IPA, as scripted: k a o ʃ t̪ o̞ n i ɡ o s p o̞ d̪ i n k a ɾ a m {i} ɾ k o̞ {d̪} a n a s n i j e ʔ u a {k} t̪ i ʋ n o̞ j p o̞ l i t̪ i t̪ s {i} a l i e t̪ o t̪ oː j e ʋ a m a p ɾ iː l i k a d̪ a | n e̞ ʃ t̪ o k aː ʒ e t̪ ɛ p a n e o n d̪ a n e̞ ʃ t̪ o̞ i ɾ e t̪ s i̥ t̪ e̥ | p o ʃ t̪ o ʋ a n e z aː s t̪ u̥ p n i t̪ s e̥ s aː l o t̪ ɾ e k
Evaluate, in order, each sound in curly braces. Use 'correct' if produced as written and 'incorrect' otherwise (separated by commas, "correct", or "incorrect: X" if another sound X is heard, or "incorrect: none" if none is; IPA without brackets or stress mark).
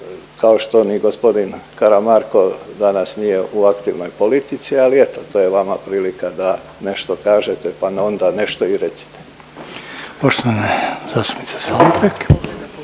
incorrect: a, correct, correct, correct